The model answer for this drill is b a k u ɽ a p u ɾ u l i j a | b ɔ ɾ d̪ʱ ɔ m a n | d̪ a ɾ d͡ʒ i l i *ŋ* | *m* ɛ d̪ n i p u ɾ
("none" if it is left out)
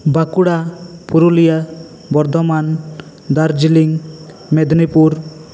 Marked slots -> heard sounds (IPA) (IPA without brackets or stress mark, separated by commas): ŋ, m